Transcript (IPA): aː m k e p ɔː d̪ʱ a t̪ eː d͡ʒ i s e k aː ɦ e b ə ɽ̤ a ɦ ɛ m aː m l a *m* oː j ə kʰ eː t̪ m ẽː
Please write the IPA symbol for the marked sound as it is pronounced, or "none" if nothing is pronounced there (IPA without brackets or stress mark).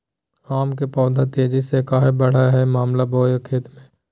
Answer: b